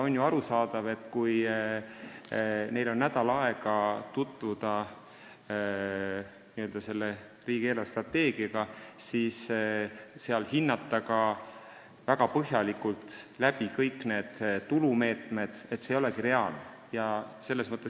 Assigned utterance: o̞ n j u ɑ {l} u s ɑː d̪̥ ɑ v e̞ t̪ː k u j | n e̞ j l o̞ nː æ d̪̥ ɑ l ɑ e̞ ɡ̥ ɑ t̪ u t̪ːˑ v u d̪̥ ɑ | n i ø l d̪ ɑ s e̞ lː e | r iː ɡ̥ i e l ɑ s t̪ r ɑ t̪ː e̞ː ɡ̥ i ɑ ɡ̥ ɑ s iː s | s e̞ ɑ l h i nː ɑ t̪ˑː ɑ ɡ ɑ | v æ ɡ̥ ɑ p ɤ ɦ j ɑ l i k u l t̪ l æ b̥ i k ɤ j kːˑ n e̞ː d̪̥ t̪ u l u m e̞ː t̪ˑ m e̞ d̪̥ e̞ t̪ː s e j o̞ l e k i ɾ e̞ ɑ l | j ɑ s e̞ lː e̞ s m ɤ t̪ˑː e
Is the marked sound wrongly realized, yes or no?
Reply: yes